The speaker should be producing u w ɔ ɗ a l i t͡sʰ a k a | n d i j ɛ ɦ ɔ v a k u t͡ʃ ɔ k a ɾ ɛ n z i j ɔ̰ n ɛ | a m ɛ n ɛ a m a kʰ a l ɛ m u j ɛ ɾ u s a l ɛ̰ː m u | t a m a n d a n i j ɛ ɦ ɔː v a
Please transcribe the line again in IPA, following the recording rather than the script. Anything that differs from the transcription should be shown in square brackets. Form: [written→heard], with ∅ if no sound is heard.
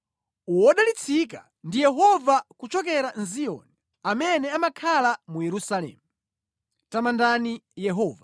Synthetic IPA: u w ɔ ɗ a l i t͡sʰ [a→i] k a | n d i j ɛ ɦ ɔ v a k u t͡ʃ ɔ k [a→ɛ] ɾ [ɛ→a] n z i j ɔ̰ n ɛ | a m ɛ n ɛ a m a kʰ a l [ɛ→a] m u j ɛ ɾ u s a l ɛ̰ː m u | t a m a n d a n i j ɛ ɦ ɔː v a